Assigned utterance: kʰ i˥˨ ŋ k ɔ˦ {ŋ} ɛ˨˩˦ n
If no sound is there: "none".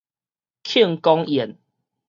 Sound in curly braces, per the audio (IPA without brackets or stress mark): ŋ